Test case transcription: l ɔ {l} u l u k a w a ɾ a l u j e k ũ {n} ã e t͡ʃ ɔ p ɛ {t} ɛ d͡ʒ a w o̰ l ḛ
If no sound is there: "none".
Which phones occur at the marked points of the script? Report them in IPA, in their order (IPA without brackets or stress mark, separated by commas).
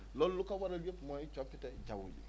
l, m, t